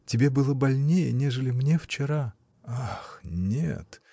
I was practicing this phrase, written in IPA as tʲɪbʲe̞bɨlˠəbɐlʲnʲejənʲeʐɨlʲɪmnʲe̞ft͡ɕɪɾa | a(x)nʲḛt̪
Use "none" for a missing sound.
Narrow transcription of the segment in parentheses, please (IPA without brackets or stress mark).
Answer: x